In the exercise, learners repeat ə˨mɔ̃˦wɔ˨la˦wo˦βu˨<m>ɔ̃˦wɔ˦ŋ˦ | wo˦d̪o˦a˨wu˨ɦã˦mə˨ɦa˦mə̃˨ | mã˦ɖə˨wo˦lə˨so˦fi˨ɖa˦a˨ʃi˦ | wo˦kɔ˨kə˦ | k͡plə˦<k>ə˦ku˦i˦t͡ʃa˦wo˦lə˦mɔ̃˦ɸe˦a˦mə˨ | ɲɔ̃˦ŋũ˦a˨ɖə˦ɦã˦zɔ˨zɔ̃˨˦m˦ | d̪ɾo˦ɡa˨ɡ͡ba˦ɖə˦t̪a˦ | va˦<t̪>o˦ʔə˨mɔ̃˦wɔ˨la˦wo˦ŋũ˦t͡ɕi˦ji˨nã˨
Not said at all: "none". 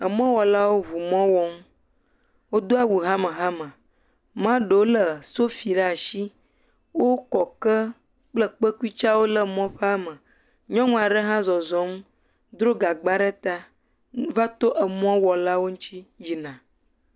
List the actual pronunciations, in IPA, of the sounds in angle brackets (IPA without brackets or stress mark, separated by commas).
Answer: m, k͡p, t̪